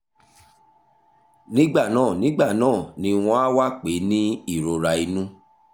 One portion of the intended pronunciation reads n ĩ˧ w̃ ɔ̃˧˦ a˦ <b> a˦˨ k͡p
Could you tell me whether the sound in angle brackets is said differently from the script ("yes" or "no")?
yes